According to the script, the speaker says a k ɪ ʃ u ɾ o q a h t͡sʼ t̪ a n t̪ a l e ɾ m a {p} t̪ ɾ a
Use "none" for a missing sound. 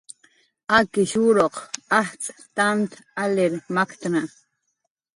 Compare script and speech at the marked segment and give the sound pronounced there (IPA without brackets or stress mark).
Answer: k